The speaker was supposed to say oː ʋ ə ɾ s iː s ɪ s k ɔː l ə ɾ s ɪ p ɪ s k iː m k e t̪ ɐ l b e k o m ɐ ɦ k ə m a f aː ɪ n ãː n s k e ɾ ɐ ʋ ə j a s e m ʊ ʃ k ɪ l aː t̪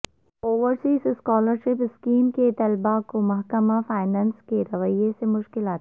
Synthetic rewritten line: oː ʋ ə ɾ s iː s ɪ s k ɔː l ə ɾ ʃ ɪ p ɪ s k iː m k e t̪ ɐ l b a k o m ɐ ɦ k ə m a f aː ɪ n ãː n s k e ɾ ɐ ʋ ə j e s e m ʊ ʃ k ɪ l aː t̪